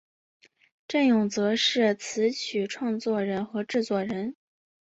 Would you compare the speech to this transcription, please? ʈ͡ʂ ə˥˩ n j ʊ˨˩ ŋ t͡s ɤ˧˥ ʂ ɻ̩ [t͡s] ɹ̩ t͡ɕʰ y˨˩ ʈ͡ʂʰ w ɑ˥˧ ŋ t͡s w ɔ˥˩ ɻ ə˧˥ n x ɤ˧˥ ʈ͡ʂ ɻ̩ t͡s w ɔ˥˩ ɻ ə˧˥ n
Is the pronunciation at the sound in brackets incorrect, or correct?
incorrect